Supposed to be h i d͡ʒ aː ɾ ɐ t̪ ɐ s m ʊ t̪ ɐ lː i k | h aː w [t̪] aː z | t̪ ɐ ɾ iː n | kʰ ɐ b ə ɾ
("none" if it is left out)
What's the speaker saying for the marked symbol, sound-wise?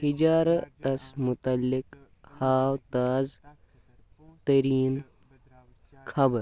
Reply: t̪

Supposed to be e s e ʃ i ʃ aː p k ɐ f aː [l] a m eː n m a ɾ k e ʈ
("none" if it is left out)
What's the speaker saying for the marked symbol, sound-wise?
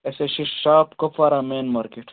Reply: ɾ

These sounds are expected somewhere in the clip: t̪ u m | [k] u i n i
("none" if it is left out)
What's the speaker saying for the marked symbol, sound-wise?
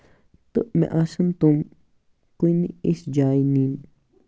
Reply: k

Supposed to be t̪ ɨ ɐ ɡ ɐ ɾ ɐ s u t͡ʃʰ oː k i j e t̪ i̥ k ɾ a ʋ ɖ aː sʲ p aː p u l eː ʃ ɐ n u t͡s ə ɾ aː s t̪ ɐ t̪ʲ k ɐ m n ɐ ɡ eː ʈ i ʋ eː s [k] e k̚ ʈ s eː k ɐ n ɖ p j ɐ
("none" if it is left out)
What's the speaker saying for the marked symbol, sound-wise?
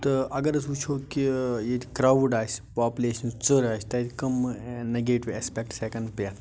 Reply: p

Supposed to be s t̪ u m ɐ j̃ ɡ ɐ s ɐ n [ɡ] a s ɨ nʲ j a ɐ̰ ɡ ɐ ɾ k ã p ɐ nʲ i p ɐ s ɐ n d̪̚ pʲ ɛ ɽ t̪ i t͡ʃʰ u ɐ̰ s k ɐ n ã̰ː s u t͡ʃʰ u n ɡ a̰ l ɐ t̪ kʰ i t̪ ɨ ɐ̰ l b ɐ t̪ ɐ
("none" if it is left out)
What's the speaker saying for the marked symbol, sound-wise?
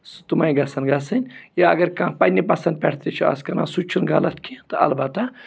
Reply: ɡ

